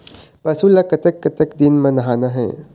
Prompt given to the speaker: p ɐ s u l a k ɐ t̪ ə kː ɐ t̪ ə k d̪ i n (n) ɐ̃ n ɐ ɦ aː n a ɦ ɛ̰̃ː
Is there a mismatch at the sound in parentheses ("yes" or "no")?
yes